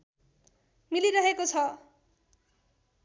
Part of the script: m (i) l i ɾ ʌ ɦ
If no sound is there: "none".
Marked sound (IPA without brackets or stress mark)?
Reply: i